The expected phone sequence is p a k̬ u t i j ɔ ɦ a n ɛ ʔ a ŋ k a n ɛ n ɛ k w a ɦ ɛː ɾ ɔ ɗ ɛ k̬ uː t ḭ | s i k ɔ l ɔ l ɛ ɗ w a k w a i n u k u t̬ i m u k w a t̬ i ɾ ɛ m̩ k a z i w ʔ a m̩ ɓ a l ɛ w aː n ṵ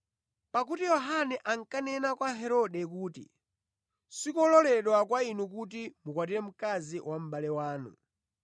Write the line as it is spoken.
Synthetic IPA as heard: p a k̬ u t i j ɔ ɦ a n ɛ ʔ a ŋ k a n ɛ n a k w a ɦ ɛ ɾ ɔ ɗ ɛ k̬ uː t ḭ | s i k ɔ l ɔ l ɛ ɗ w a k w a i n u k u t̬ i m u k w a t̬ i ɾ ɛ m̩ k a z i w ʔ a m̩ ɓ a l ɛ w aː n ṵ